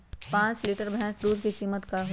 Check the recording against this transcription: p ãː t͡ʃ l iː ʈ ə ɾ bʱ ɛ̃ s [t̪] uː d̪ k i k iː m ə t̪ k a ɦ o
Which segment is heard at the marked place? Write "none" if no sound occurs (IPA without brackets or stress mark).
d̪